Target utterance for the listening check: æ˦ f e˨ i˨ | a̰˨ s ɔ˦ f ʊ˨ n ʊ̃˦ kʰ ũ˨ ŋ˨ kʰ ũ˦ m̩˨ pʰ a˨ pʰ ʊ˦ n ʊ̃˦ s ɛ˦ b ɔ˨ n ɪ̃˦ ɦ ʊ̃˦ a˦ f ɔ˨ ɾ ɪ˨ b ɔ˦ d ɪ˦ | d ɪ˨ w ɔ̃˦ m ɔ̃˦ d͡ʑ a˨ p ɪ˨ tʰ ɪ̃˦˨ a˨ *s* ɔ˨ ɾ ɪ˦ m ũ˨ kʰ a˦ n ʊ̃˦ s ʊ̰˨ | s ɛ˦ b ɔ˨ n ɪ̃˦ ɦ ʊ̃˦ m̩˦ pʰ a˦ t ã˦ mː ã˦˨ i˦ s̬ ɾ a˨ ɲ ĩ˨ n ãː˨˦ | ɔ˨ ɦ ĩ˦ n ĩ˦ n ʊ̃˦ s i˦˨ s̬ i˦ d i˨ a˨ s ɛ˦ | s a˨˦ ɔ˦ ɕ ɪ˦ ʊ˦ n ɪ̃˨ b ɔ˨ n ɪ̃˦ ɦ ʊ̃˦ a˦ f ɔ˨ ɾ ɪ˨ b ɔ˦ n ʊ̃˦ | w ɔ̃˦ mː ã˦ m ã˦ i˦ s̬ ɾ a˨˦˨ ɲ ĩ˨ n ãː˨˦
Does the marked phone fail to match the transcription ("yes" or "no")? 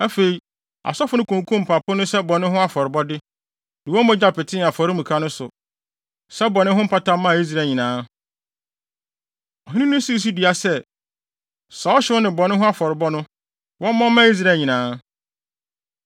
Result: yes